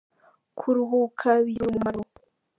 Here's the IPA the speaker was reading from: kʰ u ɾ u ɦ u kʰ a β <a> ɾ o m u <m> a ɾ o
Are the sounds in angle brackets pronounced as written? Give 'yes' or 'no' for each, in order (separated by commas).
no, yes